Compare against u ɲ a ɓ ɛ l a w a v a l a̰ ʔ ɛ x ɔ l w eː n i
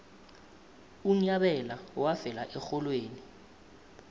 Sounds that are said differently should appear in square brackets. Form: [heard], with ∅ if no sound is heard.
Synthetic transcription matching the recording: u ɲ a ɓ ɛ l a w a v [ɛ] l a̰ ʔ ɛ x ɔ l w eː n i